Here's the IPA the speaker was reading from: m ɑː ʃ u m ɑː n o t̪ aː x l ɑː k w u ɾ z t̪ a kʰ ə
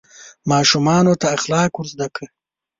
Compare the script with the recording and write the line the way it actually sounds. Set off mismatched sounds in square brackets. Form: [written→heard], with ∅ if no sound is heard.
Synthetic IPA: m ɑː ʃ u m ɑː n o t̪ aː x l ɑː k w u ɾ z [t̪→d̪] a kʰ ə